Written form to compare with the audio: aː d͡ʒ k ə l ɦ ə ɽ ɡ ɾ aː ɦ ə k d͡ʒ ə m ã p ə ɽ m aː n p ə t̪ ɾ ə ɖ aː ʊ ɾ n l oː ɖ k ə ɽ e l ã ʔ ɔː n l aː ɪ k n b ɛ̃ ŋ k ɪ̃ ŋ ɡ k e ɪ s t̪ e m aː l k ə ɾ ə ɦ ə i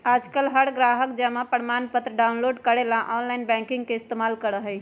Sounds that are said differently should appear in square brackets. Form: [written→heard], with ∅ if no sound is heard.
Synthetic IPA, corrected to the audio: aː d͡ʒ k ə l ɦ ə ɽ ɡ ɾ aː ɦ ə k d͡ʒ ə m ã p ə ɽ m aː n p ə t̪ ɾ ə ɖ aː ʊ [ɾ→∅] n l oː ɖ k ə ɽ e l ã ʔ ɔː n l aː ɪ [k→∅] n b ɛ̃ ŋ k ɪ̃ ŋ ɡ k e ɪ s t̪ e m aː l k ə ɾ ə ɦ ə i